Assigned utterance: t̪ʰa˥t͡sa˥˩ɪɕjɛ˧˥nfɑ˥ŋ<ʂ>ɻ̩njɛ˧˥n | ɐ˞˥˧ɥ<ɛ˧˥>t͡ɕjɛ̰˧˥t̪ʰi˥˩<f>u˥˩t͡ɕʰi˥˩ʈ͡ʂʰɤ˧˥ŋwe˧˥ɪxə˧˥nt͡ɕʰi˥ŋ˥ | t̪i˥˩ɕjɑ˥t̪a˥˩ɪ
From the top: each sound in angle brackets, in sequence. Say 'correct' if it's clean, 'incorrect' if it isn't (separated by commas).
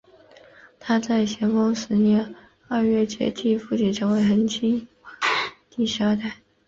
correct, incorrect, correct